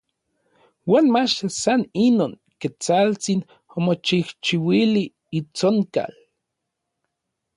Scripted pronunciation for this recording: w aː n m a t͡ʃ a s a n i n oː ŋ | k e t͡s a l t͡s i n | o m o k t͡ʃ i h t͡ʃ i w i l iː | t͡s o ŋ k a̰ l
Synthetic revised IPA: w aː n m a t͡ʃ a s a n i n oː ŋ | k e t͡s a l t͡s i n | o m o t͡ʃ i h t͡ʃ i w i l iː | t͡s o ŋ k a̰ l